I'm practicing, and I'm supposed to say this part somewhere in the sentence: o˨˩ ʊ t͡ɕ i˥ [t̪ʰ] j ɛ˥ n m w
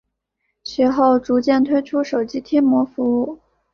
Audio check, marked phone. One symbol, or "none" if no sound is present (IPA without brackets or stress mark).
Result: t̪ʰ